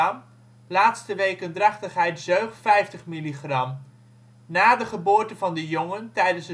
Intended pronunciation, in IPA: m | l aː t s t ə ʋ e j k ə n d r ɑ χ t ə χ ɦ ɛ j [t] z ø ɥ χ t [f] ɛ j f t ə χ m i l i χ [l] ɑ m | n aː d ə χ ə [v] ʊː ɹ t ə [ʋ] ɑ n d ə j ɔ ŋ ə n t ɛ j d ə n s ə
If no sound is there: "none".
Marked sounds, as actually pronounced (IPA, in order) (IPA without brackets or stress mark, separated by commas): t, f, r, b, v